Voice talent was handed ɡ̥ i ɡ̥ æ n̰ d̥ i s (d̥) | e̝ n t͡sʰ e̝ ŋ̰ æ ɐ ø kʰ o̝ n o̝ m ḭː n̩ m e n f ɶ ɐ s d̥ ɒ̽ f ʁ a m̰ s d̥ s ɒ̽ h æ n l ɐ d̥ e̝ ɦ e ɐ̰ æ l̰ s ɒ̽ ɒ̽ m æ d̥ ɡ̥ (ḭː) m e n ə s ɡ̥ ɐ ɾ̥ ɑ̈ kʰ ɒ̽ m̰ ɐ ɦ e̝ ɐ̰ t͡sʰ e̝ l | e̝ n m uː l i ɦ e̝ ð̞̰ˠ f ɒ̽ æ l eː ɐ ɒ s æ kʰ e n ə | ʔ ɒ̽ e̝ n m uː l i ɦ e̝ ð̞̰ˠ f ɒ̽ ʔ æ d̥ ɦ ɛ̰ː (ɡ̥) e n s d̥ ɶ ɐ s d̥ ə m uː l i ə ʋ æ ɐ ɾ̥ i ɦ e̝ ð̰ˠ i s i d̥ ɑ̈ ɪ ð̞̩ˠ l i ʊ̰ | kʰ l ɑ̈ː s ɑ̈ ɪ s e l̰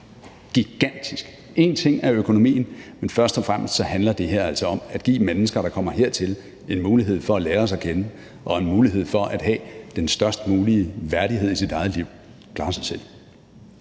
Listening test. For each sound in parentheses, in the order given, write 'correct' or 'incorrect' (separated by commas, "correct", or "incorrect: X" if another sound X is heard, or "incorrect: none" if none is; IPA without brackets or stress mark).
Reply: incorrect: ɡ̥, correct, incorrect: d̥